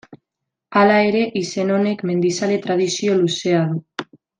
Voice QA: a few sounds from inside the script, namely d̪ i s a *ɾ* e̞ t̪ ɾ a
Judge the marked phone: incorrect: l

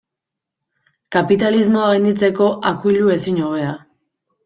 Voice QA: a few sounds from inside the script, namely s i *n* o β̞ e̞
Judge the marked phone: incorrect: ɲ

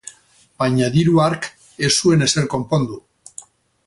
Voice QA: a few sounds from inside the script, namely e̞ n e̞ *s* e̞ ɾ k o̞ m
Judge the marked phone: correct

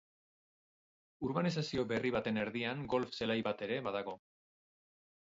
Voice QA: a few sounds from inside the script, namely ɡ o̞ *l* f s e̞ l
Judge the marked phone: correct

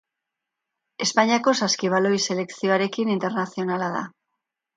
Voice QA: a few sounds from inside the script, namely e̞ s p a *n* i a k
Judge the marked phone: incorrect: ɲ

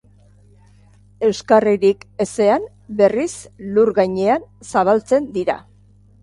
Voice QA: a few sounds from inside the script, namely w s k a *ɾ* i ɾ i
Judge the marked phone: incorrect: r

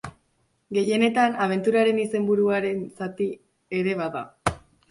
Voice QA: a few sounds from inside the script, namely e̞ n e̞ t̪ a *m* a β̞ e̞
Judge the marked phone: incorrect: n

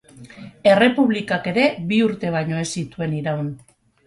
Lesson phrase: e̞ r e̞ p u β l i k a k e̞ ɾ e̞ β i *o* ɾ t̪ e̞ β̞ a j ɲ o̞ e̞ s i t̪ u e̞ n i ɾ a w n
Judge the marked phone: incorrect: u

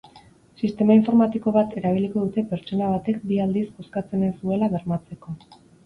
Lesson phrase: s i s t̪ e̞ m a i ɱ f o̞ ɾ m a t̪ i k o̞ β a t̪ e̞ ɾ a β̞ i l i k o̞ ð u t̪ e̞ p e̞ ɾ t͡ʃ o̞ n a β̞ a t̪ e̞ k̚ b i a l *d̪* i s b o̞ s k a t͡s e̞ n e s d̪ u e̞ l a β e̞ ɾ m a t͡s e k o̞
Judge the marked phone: correct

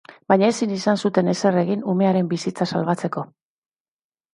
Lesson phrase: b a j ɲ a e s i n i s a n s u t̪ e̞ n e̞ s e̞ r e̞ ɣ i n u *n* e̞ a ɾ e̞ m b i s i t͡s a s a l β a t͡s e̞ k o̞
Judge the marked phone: incorrect: m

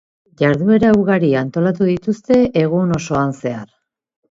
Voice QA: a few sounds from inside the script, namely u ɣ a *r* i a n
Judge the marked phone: incorrect: ɾ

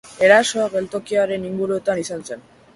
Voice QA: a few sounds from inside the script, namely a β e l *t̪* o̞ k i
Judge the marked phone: correct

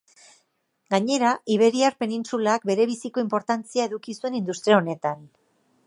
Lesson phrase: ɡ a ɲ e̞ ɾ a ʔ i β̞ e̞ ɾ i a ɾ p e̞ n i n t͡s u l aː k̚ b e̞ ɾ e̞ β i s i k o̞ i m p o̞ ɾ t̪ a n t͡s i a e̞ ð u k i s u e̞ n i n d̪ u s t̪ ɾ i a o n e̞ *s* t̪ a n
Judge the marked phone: incorrect: none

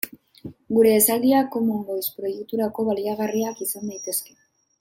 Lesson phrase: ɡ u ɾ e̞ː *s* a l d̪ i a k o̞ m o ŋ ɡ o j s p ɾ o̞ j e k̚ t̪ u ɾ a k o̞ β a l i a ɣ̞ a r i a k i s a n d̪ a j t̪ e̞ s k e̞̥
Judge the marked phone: correct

